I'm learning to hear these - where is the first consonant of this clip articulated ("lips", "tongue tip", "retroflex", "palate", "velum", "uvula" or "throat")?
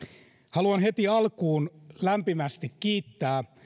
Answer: throat